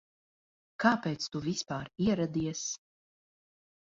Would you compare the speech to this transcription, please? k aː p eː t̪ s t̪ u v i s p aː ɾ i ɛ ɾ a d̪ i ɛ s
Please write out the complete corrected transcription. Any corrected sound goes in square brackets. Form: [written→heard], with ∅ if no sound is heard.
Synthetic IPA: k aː p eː t̪ s t̪ u v i s p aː ɾ i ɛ ɾ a d̪ i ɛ s